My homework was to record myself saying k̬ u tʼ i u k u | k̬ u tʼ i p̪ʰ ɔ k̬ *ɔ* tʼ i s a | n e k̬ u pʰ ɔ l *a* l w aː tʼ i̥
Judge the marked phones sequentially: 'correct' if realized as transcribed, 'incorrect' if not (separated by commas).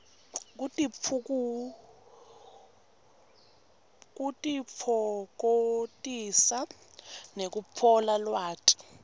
incorrect, correct